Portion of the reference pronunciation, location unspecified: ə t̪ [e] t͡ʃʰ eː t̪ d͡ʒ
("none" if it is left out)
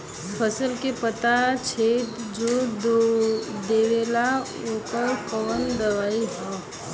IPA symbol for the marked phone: a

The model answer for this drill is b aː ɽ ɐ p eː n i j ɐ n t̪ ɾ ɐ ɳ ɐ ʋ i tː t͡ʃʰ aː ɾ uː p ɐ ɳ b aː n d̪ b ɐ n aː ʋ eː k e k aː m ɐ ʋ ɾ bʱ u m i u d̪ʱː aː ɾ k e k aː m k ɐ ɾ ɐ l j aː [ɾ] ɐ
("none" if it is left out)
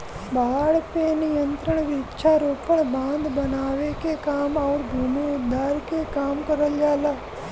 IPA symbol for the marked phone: l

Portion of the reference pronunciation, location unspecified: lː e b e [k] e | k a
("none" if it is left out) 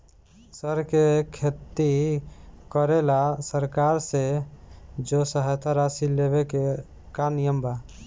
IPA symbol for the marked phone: k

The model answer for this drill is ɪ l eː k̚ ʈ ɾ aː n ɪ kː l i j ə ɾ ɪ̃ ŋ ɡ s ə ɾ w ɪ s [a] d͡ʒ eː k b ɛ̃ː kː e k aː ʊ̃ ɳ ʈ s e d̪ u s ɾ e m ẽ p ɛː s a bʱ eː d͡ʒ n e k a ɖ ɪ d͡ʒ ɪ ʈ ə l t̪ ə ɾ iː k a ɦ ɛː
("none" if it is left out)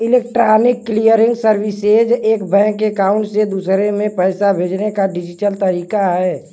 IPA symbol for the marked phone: e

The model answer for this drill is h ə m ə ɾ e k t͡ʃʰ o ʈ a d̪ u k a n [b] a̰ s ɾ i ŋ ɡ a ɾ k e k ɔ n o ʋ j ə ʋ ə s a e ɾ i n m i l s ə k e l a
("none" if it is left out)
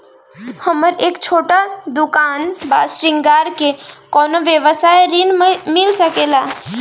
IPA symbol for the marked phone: b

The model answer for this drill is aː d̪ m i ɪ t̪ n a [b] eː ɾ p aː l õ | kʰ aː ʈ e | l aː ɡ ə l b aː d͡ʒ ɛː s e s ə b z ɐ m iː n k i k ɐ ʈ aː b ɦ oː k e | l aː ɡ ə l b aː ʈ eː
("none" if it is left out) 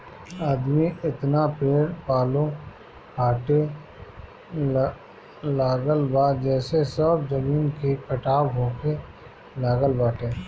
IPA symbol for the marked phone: p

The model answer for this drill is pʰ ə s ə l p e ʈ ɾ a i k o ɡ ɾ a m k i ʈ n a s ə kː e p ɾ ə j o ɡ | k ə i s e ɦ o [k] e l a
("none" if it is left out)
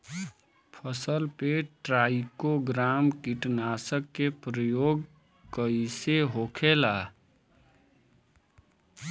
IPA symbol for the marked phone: kʰ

